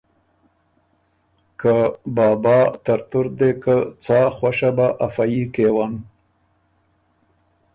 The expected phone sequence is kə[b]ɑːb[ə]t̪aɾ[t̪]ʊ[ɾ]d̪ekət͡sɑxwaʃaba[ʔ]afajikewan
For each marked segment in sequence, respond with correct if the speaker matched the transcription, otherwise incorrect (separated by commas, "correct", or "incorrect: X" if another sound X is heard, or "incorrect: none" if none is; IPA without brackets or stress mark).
correct, incorrect: ɑ, correct, correct, correct